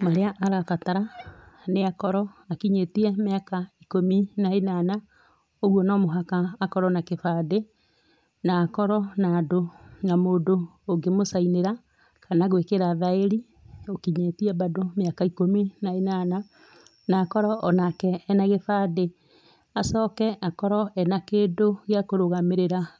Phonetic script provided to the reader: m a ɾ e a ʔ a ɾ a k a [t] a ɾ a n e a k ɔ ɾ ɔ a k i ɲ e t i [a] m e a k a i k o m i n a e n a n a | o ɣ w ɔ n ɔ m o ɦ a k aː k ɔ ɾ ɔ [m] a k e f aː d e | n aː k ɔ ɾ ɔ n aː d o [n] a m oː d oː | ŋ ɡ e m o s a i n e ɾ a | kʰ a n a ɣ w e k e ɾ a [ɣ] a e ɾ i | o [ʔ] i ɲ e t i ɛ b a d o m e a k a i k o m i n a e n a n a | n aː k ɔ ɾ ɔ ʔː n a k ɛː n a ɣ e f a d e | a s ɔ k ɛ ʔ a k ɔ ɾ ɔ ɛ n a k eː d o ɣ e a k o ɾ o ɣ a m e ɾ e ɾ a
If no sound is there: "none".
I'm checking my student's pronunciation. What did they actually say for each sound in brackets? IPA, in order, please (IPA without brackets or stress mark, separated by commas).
t, ɛ, n, n, ð, k